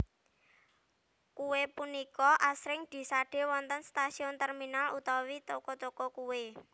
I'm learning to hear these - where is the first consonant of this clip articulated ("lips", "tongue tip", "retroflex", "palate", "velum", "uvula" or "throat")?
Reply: velum